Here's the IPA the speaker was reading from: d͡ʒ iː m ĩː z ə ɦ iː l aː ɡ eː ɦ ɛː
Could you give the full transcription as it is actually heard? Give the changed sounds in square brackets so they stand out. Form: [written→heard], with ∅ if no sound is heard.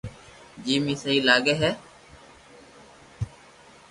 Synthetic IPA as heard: d͡ʒ iː m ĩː [z→s] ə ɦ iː l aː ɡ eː ɦ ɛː

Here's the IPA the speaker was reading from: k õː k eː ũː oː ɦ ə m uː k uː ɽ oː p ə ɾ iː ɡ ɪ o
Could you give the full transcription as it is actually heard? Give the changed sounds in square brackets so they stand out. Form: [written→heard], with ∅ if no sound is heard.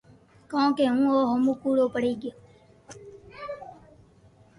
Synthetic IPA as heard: k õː k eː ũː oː ɦ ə m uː k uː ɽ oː p ə [ɾ→ɽ] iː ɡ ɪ o

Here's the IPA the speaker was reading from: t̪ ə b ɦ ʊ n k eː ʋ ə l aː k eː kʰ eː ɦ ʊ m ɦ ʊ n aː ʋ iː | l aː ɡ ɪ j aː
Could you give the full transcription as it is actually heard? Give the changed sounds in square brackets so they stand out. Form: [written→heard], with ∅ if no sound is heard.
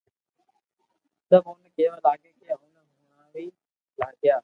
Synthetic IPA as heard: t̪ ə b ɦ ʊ n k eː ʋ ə l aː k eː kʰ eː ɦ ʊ [m→n] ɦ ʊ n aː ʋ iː | l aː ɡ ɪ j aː

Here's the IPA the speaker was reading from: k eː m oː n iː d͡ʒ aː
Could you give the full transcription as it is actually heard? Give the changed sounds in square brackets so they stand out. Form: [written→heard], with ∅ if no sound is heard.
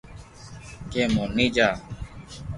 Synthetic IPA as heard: k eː m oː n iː d͡ʒ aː

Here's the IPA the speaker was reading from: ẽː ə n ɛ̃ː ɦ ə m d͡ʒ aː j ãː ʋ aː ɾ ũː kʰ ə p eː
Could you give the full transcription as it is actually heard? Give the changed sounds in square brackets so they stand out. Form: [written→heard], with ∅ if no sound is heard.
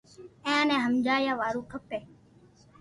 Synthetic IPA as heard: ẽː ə n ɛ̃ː ɦ ə m d͡ʒ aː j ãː ʋ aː ɾ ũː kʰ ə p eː

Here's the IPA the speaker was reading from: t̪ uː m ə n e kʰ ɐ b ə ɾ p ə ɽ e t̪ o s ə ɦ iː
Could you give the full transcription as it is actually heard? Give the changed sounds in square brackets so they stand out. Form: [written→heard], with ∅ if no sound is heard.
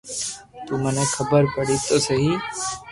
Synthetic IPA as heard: t̪ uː m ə n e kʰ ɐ b ə ɾ p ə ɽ [e→i] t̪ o s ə ɦ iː

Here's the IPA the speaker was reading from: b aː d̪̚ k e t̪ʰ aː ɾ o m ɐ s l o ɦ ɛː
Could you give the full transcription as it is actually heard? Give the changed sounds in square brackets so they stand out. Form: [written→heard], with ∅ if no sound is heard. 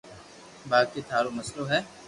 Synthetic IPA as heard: b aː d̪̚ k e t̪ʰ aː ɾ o m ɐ s l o ɦ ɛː

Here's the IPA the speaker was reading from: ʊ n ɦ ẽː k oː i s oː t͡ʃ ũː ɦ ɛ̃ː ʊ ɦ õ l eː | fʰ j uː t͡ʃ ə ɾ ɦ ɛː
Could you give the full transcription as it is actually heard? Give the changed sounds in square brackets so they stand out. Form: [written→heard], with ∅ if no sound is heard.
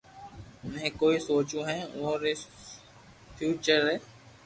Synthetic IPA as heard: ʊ n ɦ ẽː k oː i s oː t͡ʃ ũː ɦ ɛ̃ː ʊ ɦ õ [l→ɾ] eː | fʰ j uː t͡ʃ ə ɾ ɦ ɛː

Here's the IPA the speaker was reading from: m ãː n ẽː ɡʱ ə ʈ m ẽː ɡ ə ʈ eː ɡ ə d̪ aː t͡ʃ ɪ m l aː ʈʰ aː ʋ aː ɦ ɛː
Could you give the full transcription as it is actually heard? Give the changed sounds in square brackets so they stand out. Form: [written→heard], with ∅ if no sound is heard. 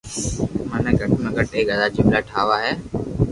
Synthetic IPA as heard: m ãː n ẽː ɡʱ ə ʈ m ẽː ɡ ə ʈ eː ɡ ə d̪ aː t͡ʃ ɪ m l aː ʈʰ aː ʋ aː ɦ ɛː

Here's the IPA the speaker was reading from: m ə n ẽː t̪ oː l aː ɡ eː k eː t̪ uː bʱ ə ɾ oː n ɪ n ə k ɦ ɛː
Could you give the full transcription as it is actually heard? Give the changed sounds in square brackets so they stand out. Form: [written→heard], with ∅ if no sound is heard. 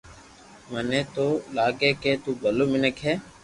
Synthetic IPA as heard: m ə n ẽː t̪ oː l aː ɡ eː k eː t̪ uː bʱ ə [ɾ→l] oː [n→m] ɪ n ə k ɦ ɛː

